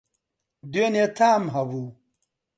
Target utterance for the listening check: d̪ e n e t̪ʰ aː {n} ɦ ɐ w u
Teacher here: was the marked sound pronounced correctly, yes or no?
no